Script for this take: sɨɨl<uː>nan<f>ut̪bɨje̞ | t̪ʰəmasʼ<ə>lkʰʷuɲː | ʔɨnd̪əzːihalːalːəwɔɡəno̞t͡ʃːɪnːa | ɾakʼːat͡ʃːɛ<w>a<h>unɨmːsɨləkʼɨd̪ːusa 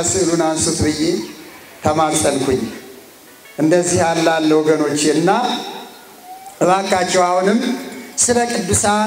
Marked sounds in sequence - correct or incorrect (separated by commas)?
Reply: incorrect, incorrect, correct, correct, correct